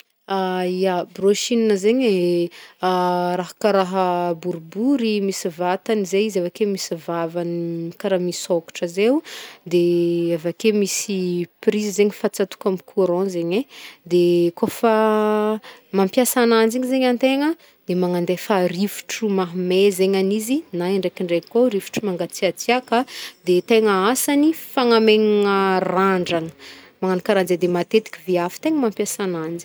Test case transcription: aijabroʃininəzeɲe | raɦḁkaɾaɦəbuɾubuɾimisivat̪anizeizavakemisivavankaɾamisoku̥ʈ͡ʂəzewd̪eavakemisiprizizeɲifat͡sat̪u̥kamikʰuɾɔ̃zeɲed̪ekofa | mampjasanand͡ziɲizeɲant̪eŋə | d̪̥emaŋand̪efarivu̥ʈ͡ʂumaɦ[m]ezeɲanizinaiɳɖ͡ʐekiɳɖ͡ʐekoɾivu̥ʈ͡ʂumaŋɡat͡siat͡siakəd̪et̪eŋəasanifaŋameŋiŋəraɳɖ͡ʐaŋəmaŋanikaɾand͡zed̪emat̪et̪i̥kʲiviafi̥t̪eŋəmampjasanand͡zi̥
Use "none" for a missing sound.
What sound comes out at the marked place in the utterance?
m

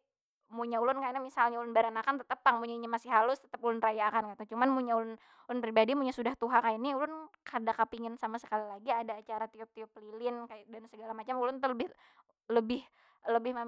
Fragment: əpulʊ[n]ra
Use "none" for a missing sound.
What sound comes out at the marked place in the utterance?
n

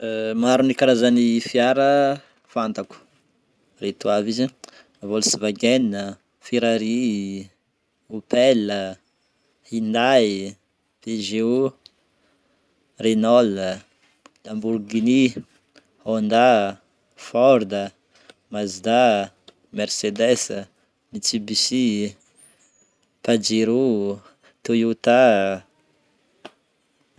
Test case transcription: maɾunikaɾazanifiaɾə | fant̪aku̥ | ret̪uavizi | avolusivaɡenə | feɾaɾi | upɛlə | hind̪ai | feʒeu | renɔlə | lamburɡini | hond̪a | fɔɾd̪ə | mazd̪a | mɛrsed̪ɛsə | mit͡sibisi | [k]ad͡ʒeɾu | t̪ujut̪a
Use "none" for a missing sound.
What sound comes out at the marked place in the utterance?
p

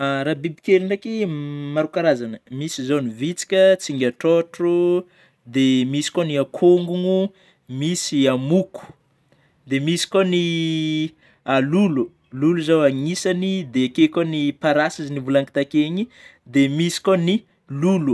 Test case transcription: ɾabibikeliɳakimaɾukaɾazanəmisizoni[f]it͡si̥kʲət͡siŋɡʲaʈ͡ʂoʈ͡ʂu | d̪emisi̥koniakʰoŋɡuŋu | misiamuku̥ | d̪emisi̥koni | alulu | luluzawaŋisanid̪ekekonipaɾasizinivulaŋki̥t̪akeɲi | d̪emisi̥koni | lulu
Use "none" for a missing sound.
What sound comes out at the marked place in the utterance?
v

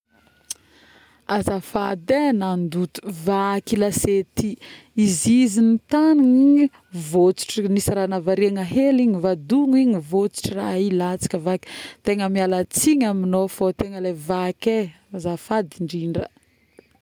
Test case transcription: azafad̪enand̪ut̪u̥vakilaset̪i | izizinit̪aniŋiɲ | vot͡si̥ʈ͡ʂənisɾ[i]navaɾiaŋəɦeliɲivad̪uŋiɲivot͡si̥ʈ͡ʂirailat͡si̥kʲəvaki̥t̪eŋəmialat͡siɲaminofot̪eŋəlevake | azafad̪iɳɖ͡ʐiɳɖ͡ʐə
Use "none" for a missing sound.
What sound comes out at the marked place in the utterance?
a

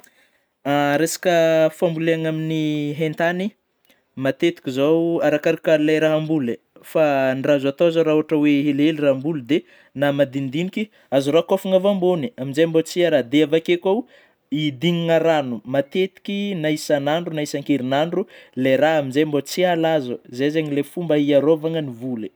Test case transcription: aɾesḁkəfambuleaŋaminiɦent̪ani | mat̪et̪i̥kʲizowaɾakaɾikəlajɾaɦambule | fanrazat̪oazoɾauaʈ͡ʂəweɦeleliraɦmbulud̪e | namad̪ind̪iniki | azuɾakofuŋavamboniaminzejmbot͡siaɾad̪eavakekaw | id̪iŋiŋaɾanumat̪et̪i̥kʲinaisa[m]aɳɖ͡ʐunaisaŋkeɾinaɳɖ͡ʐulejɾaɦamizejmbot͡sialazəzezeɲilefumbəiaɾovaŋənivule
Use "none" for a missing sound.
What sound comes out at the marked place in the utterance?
n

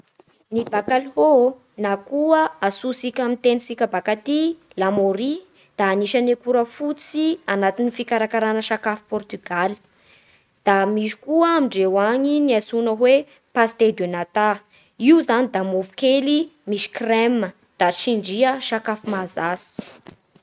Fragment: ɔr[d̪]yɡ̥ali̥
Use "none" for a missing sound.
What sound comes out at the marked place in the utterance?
t̪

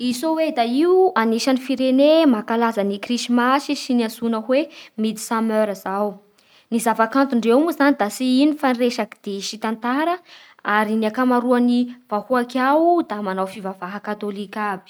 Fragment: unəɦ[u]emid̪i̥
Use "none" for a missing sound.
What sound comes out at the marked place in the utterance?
w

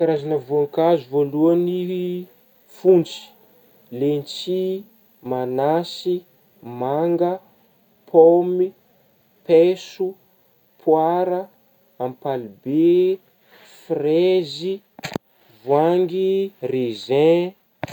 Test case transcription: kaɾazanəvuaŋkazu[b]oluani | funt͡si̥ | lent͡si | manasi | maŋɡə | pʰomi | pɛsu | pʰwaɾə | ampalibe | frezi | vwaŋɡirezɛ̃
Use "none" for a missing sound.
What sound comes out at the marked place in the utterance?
v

